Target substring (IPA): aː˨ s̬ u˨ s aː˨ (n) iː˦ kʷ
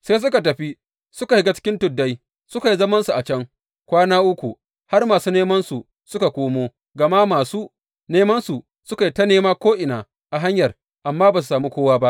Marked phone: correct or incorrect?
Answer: incorrect